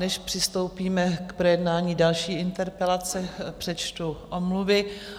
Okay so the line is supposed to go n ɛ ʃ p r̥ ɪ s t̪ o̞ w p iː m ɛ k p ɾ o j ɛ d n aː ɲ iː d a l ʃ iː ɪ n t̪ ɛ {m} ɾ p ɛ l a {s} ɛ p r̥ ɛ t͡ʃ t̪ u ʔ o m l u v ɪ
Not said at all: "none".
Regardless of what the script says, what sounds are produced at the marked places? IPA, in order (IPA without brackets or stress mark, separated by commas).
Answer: none, t͡s